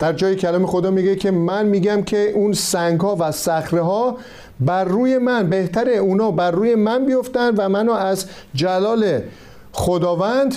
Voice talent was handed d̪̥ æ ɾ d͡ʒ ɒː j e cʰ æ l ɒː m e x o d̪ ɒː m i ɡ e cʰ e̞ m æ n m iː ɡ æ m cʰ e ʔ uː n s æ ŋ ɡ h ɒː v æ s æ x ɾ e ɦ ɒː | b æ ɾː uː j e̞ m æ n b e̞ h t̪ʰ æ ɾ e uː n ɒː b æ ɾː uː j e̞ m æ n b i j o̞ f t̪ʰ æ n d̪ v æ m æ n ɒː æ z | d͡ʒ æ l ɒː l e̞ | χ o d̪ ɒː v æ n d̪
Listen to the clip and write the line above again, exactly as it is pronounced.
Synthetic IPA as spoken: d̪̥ æ ɾ d͡ʒ ɒː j e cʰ æ l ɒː m e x o d̪ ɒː m i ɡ e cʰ e̞ m æ n m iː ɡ æ m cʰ e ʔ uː n s æ ŋ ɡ h ɒː v æ s æ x ɾ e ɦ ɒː | b æ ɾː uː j e̞ m æ n b e̞ h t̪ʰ æ ɾ e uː n ɒː b æ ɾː uː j e̞ m æ n b i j o̞ f t̪ æ n d̪ v æ m æ n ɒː æ z | d͡ʒ æ l ɒː l e̞ | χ o d̪ ɒː v æ n d̪